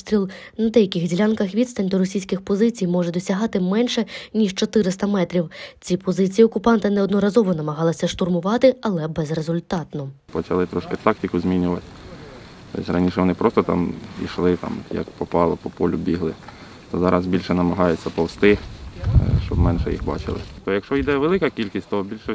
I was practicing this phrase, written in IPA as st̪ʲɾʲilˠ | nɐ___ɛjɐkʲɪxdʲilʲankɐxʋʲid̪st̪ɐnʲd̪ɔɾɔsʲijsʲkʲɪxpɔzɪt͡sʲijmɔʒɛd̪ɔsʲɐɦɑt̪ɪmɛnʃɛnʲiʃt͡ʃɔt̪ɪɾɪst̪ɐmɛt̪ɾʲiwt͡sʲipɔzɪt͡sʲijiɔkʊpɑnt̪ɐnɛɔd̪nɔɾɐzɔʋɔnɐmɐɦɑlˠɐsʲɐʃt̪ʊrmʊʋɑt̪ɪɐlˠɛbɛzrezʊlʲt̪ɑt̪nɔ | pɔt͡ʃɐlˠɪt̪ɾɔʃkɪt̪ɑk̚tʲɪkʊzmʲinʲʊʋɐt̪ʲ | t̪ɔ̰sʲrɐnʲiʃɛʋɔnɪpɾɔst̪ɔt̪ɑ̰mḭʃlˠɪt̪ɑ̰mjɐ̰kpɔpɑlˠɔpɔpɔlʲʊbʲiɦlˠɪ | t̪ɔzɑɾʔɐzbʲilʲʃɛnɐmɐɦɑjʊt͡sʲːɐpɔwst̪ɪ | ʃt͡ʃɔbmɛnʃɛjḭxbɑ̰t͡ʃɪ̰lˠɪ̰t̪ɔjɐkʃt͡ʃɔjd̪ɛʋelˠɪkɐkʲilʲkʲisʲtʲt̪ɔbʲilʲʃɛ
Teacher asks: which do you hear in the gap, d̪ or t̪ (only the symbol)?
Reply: d̪